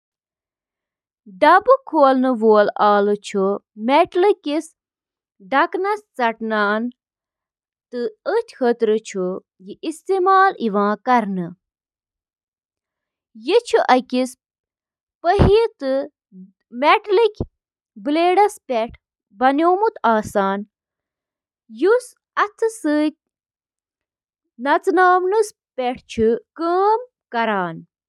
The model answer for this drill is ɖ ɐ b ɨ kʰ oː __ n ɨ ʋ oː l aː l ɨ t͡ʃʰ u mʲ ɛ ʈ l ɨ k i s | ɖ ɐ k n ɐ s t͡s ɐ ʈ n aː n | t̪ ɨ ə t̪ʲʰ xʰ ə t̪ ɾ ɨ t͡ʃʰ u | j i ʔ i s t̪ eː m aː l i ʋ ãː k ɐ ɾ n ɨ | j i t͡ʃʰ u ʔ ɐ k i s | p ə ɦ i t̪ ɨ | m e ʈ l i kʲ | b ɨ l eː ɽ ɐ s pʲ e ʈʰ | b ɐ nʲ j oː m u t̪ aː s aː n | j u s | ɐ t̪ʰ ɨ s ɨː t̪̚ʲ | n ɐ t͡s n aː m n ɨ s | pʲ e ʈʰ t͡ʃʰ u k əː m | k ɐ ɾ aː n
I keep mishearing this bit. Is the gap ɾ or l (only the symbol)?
l